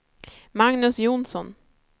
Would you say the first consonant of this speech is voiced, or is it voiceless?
voiced